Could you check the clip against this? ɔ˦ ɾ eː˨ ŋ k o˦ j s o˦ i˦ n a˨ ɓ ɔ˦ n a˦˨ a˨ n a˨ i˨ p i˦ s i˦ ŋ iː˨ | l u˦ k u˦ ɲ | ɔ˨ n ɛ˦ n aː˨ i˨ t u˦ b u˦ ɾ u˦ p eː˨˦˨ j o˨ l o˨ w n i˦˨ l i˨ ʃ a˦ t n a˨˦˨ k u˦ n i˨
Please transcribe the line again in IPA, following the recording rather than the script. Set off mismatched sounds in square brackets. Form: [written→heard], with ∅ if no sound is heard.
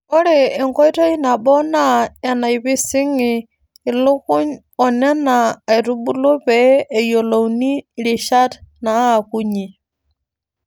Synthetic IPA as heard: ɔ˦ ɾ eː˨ ŋ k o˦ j [s→t] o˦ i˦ n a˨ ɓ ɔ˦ n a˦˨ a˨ n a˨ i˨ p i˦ s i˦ ŋ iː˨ | l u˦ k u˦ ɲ | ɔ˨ n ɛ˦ n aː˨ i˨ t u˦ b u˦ [ɾ→l] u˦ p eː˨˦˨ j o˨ l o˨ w n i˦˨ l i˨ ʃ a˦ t n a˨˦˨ k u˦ [n→ɲ] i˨